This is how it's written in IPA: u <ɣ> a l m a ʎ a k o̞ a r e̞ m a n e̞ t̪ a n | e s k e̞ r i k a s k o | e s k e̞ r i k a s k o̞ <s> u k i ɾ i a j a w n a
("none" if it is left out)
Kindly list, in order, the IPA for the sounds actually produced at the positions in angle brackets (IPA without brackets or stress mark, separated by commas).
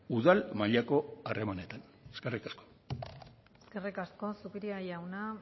ð, s